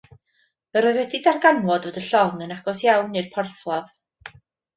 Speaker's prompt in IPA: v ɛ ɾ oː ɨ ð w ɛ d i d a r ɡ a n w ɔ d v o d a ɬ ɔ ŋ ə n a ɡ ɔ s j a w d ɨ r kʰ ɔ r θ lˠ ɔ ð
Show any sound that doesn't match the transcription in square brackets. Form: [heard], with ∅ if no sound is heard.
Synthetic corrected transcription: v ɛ ɾ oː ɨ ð w ɛ d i d a r ɡ a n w ɔ d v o d [ə] ɬ ɔ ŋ ə n a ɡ ɔ s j a w [n] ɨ r [pʰ] ɔ r θ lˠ ɔ ð